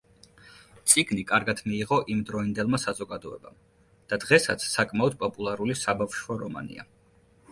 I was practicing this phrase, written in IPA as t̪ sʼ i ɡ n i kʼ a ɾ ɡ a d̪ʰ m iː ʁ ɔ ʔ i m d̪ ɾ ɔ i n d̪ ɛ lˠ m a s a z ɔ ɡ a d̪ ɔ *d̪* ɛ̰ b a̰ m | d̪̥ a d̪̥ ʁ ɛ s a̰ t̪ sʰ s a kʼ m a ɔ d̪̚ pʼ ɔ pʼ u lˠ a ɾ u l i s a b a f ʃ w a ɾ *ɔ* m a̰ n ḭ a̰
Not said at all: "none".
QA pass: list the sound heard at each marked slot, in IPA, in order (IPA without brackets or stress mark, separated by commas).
none, ɔ